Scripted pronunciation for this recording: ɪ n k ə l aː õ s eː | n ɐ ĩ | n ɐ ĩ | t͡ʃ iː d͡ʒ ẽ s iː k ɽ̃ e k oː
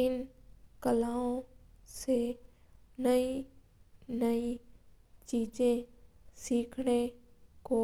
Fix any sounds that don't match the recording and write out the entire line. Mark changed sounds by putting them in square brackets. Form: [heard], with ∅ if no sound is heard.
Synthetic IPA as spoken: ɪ n k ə l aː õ s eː | n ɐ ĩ | n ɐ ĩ | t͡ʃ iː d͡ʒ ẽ s iː [kʰ] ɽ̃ e k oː